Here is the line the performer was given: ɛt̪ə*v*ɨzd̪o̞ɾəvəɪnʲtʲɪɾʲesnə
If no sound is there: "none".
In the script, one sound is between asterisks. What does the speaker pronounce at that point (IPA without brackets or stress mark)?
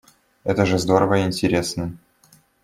ʐ